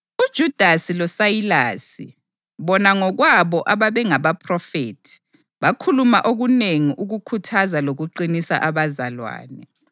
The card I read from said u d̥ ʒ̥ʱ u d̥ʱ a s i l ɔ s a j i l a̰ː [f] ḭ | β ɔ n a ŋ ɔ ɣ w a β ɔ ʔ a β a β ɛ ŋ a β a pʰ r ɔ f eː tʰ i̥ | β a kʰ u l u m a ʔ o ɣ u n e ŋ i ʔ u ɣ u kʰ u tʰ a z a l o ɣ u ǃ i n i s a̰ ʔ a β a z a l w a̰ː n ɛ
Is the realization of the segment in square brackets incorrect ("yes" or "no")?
yes